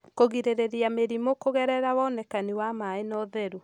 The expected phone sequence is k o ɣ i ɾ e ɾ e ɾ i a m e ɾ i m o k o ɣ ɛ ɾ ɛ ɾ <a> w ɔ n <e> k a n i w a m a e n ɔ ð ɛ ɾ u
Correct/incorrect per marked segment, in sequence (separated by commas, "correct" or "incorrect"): correct, incorrect